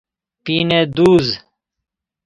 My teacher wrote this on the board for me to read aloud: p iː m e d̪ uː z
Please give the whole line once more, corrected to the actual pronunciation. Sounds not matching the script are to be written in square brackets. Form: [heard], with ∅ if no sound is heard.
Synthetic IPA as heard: p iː [n] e d̪ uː z